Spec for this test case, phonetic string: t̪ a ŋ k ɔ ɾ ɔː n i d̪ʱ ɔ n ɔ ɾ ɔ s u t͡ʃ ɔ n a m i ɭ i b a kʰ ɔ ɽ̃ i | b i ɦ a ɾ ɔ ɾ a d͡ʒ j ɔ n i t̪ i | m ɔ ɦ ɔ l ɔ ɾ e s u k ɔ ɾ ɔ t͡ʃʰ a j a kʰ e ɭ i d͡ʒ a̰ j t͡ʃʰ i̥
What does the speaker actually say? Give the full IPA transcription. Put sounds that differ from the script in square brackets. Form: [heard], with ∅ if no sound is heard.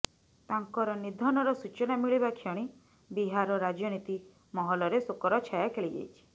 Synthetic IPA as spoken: t̪ a ŋ k ɔ ɾ [ɔ] n i d̪ʱ ɔ n ɔ ɾ ɔ s u t͡ʃ ɔ n a m i ɭ i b a kʰ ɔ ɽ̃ i | b i ɦ a ɾ ɔ ɾ a d͡ʒ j ɔ n i t̪ i | m ɔ ɦ ɔ l ɔ ɾ e s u k ɔ ɾ ɔ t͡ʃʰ a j a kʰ e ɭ i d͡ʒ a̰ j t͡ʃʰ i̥